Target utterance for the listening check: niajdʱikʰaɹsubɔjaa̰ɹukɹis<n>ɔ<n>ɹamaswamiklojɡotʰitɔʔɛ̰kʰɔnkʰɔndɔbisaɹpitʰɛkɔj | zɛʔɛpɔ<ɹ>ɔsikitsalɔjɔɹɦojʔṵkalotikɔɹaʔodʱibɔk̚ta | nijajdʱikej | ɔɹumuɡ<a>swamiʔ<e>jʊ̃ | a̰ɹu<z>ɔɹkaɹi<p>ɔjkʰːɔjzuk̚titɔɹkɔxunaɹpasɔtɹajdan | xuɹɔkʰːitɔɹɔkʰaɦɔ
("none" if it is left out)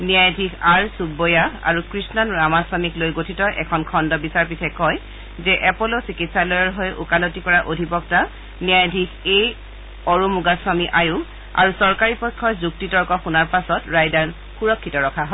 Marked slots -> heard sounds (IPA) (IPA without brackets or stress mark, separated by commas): n, n, l, a, a, s, p